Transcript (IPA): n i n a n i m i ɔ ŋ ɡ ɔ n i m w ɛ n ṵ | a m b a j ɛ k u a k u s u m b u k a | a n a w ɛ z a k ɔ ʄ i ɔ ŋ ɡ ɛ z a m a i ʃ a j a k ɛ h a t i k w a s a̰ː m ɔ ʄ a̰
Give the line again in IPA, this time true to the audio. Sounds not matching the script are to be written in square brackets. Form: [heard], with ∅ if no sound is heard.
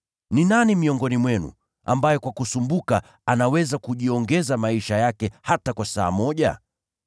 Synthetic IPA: n i n a n i m i ɔ ŋ ɡ ɔ n i m w ɛ n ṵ | a m b a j ɛ k [w] a k u s u m b u k a | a n a w ɛ z a k [u] ʄ i ɔ ŋ ɡ ɛ z a m a i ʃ a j a k ɛ h a t [a] k w a s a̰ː m ɔ ʄ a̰